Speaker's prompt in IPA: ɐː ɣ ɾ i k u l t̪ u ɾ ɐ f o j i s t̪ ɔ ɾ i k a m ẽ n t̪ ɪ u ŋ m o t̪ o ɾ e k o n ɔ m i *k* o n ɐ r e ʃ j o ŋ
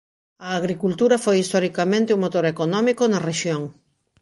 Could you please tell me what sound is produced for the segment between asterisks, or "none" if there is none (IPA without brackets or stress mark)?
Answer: k